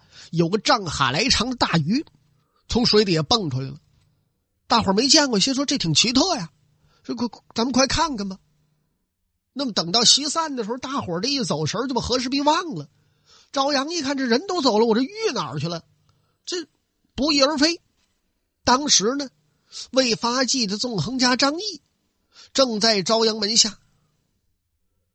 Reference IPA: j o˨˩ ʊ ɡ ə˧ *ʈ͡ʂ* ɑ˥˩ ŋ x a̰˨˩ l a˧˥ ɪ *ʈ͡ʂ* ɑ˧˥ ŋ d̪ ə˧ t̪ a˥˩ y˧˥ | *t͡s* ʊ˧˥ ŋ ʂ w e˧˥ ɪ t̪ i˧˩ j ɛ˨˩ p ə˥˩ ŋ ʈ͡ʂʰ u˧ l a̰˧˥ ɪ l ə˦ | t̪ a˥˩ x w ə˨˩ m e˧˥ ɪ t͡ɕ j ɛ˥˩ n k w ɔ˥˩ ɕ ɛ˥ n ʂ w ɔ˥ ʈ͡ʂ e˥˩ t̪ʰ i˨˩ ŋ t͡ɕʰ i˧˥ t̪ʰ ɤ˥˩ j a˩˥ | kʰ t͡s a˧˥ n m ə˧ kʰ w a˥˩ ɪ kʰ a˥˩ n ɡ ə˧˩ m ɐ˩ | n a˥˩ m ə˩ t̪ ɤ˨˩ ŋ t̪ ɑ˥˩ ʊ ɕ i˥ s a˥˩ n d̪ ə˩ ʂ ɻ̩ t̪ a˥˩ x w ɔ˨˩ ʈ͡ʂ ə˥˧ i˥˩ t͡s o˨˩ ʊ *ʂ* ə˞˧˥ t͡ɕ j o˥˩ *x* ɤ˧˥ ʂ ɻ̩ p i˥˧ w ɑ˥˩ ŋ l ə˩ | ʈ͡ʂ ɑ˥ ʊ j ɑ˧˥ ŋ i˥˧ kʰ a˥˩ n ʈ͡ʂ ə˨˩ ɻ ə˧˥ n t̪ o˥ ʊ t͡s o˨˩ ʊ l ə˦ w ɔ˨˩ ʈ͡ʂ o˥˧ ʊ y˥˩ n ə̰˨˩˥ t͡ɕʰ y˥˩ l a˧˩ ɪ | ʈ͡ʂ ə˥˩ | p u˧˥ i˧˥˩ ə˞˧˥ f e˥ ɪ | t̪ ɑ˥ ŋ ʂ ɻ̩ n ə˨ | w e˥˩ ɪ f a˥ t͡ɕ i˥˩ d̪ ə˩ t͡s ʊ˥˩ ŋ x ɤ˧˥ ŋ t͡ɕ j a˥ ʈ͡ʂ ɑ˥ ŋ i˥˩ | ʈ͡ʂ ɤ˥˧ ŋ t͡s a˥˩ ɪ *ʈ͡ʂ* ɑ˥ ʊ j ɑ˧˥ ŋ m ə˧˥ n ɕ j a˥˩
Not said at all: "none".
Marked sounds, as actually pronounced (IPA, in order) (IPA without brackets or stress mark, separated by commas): ʈ͡ʂ, ʈ͡ʂʰ, t͡sʰ, ʂ, x, ʈ͡ʂ